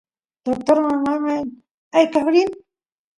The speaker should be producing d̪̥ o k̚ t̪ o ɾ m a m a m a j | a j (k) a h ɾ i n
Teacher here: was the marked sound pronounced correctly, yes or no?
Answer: yes